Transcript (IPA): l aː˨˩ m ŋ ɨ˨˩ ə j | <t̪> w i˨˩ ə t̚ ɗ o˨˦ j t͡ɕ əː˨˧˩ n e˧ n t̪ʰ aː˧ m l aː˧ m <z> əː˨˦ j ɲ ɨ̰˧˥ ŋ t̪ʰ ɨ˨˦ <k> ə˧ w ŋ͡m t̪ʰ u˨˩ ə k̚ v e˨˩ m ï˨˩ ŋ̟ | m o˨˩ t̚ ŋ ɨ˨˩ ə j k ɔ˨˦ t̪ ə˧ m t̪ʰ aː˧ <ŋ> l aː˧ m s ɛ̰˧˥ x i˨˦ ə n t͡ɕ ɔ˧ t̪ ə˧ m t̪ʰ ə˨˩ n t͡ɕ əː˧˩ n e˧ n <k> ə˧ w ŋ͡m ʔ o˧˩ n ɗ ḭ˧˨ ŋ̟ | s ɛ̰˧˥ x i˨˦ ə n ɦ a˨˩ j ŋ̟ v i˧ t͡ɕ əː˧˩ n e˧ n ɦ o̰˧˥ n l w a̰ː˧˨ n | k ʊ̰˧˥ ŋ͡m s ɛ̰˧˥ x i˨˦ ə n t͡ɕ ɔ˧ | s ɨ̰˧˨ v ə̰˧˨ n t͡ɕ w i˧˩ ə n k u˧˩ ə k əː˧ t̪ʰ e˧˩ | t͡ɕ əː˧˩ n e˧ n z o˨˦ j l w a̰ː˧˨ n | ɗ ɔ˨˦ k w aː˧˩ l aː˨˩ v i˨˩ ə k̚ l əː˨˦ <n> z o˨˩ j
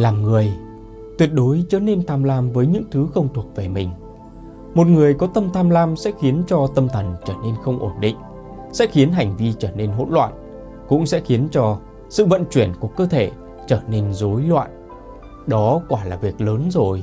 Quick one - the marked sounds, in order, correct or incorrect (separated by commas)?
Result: correct, incorrect, incorrect, incorrect, incorrect, correct